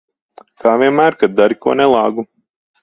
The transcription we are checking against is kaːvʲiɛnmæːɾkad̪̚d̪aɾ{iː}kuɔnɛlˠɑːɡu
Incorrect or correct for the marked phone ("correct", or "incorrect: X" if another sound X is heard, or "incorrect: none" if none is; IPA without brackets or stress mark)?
incorrect: i